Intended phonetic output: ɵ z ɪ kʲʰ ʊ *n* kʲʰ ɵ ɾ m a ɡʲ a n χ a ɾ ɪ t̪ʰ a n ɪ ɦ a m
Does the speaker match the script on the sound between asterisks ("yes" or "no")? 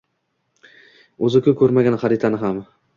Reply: no